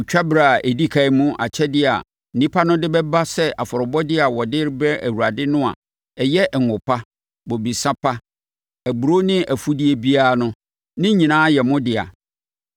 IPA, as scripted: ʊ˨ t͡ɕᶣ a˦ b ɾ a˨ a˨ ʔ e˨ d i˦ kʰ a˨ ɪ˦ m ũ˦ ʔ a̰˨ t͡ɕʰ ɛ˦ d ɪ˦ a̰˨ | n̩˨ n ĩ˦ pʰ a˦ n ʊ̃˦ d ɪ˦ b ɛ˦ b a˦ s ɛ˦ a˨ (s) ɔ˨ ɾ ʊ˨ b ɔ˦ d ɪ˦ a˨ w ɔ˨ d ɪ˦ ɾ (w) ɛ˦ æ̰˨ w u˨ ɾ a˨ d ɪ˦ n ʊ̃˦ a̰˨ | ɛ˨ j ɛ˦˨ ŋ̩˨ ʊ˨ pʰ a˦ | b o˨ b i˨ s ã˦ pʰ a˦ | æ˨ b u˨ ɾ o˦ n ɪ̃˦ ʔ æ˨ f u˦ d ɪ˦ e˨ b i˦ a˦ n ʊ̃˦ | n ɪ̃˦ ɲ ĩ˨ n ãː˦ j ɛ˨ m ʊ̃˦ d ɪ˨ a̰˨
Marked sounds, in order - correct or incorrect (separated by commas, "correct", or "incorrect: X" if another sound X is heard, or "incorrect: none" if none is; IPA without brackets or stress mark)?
incorrect: f, incorrect: b